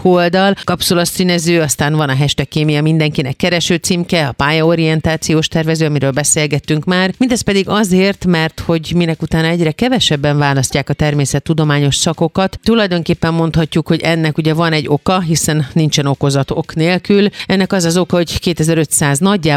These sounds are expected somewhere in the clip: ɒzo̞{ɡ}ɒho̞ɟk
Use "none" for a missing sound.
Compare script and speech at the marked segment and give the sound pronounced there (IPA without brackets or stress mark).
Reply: k